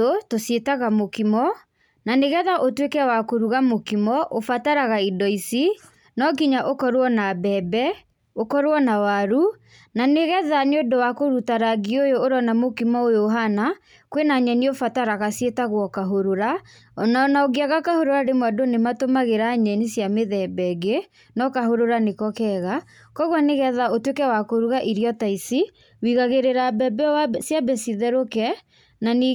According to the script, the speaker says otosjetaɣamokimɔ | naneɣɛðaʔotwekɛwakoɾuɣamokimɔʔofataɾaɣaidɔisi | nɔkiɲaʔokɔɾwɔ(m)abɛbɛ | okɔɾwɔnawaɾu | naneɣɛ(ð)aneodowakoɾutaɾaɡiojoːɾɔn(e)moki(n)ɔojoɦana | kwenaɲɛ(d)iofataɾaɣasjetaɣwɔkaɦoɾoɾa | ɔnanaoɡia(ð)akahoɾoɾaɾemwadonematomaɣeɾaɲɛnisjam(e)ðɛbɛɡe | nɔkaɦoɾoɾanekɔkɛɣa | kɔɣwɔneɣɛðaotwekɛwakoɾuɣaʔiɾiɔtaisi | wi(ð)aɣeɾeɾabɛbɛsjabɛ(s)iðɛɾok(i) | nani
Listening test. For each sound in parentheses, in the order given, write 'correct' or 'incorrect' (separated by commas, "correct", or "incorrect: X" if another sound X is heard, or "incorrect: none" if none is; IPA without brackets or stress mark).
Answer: incorrect: n, correct, incorrect: a, incorrect: m, incorrect: n, incorrect: ɣ, correct, incorrect: ɣ, correct, incorrect: ɛ